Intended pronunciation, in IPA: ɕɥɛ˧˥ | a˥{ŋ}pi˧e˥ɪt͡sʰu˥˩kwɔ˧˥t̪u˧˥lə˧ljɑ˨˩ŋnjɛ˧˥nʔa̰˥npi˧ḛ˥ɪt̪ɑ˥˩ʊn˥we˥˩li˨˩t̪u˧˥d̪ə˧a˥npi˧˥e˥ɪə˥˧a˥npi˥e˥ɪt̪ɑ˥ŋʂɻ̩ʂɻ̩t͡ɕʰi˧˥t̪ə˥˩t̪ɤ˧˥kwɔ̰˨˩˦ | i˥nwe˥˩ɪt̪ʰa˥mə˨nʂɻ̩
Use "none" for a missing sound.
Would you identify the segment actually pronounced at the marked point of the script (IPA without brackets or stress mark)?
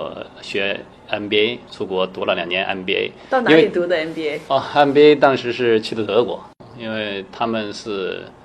n